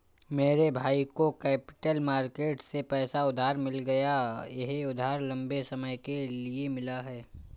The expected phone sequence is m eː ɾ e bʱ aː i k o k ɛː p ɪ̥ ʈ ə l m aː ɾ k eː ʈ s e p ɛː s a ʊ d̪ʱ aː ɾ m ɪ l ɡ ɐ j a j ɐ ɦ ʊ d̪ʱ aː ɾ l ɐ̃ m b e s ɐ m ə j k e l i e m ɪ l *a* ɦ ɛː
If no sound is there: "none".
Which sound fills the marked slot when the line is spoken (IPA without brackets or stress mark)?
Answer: a